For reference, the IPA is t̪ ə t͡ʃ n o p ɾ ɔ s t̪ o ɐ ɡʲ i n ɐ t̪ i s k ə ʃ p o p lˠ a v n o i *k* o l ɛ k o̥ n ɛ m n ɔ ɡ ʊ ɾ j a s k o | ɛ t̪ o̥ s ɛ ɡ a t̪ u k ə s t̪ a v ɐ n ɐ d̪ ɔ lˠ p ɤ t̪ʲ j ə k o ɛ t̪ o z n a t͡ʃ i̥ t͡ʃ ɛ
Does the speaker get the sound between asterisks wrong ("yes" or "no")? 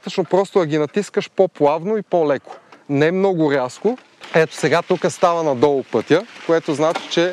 yes